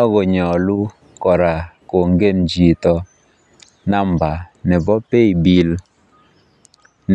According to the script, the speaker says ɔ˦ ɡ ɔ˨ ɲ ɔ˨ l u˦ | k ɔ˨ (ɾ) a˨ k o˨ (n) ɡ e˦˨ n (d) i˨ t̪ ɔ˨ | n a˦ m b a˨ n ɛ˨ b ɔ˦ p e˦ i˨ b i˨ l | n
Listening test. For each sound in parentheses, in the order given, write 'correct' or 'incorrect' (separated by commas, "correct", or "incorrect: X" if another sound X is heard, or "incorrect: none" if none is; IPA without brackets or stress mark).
correct, incorrect: ŋ, incorrect: d͡ʒ